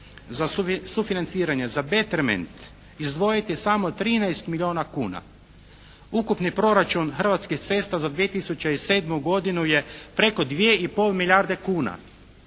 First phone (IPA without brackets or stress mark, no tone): z